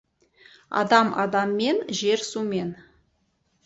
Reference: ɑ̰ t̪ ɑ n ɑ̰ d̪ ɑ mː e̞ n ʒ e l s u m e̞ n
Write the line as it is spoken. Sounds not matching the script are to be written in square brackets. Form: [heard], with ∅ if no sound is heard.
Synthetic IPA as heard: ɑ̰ [d̪] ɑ [m] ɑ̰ d̪ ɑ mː e̞ n ʒ e [ɾ] s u m e̞ n